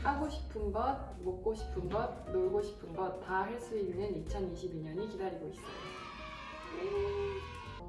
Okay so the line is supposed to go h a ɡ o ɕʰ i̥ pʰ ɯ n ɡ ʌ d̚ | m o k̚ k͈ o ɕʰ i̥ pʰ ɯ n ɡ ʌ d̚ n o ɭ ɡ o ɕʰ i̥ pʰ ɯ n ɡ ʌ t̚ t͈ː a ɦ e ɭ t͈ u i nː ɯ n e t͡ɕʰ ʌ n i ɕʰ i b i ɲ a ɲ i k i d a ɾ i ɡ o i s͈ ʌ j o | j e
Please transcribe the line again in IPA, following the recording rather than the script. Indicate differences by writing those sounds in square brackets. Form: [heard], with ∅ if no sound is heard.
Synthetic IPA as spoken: h a ɡ o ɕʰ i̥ pʰ ɯ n ɡ ʌ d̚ | m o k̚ k͈ o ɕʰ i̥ pʰ ɯ n ɡ ʌ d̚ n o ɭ ɡ o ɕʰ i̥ pʰ ɯ n ɡ ʌ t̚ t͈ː a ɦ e ɭ [s͈] u i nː ɯ n [i] t͡ɕʰ ʌ n i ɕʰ i b i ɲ [ʌ] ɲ i k i d a ɾ i ɡ o i s͈ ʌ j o | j e